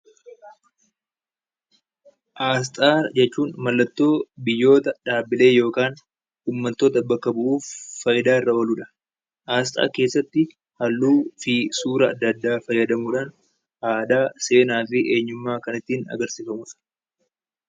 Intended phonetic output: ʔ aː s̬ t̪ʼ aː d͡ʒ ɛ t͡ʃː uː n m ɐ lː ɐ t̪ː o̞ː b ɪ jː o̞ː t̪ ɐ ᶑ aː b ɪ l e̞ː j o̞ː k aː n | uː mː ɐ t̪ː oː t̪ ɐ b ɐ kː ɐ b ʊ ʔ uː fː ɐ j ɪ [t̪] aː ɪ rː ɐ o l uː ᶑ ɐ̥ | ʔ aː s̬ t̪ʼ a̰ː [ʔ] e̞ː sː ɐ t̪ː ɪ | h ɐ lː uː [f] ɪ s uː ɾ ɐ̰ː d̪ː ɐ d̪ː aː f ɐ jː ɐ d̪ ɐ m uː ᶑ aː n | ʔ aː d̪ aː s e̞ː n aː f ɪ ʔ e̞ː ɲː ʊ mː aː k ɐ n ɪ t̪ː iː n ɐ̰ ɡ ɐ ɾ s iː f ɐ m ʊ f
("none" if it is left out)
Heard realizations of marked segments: d̪, k, f

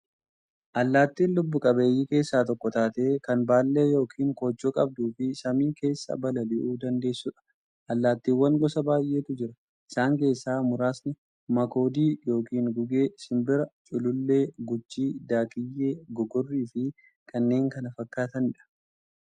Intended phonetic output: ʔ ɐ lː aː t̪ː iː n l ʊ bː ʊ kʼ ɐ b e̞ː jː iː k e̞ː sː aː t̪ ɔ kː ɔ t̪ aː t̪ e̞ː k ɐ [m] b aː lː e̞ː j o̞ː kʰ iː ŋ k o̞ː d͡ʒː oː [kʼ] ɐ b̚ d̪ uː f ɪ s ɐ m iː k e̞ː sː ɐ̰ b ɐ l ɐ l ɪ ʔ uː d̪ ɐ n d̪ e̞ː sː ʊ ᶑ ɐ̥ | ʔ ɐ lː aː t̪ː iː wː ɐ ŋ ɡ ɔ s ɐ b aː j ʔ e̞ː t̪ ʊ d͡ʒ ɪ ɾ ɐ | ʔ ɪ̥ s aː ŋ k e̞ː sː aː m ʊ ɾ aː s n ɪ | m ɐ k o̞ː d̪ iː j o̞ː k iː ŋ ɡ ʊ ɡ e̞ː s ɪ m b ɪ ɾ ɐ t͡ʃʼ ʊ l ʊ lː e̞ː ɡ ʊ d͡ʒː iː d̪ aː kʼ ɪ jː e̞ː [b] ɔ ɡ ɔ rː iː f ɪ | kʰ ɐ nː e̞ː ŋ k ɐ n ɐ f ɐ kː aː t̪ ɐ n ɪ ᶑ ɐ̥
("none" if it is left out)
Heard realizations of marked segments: n, kʼ, ɡ

